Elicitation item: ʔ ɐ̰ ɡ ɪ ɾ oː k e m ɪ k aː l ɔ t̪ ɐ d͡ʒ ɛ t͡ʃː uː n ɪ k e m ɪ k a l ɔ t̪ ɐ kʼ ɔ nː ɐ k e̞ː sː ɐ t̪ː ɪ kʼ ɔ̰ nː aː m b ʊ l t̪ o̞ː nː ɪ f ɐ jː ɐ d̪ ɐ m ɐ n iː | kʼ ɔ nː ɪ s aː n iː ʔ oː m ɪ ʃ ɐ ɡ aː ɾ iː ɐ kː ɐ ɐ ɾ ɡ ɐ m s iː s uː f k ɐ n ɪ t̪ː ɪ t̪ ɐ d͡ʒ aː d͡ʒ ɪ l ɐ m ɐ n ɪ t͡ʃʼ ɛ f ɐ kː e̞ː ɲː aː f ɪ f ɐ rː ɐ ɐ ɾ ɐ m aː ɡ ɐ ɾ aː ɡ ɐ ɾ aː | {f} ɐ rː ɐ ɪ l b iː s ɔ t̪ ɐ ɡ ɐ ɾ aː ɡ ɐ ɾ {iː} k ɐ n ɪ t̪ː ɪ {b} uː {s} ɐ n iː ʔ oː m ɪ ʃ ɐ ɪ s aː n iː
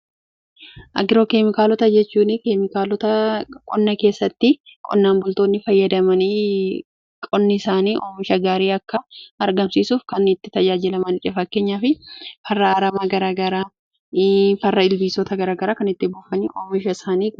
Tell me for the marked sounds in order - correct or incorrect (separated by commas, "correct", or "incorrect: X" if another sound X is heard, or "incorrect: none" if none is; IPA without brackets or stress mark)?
correct, incorrect: aː, correct, incorrect: f